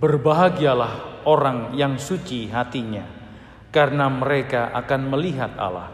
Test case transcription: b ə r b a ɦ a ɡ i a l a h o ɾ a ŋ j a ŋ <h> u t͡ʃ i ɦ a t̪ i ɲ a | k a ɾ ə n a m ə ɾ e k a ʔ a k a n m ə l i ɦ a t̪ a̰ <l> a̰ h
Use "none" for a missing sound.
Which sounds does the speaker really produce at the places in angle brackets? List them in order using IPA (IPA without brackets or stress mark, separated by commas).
s, l